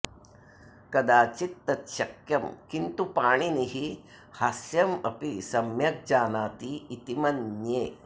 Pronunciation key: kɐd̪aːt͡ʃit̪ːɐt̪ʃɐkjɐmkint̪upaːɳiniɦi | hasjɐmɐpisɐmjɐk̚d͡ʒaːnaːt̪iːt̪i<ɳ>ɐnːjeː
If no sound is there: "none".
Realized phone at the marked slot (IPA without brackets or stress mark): m